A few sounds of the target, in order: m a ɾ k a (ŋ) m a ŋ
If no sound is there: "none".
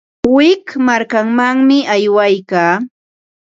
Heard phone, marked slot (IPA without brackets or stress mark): ŋ